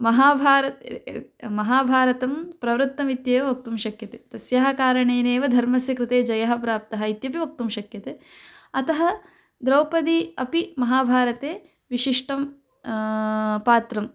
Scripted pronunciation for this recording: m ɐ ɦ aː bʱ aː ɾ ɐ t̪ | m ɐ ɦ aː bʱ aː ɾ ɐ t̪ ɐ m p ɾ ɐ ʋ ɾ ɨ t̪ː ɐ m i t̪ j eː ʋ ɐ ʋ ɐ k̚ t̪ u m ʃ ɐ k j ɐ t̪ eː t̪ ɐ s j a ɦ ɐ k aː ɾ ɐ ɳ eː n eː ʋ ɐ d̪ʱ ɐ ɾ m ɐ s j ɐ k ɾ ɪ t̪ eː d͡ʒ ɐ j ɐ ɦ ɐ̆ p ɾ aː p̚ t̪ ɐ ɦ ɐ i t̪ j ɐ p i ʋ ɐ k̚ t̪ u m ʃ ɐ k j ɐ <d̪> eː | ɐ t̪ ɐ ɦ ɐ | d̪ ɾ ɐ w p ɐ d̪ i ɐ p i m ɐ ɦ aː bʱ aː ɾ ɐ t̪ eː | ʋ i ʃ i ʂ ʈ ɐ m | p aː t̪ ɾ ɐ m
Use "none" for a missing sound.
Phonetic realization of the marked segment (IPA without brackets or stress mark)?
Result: t̪